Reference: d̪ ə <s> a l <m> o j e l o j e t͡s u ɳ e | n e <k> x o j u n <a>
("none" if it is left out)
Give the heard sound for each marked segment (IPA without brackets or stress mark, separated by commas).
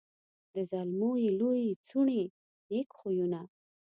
z, m, k, a